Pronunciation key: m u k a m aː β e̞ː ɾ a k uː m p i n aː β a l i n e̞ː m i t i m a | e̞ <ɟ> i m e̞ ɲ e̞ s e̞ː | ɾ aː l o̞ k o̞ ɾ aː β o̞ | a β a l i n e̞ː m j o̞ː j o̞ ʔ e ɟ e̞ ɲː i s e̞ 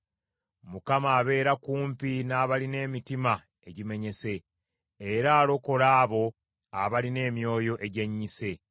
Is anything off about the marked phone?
no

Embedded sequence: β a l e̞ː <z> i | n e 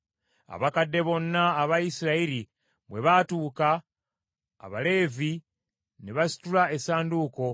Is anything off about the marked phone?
yes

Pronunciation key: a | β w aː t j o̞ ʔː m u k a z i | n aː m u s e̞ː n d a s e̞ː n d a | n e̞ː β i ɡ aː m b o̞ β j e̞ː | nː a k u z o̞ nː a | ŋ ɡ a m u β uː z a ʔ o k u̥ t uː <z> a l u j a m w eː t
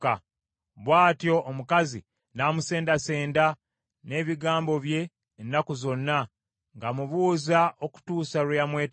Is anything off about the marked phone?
yes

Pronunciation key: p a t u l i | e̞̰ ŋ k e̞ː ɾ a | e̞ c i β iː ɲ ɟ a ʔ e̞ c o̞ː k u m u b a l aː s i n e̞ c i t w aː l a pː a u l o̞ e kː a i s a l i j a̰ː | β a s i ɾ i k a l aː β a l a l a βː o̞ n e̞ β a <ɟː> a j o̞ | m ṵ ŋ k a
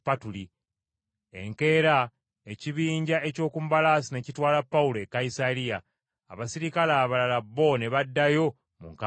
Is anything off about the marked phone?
yes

